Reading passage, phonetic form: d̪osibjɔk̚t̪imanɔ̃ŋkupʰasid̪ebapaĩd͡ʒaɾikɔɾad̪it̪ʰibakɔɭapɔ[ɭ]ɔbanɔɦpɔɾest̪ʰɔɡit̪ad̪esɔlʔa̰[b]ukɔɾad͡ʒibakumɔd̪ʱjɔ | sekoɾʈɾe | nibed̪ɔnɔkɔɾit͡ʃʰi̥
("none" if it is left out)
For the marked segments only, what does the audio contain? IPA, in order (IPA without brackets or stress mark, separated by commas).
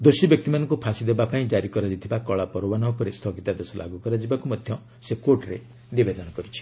ɾ, ɡ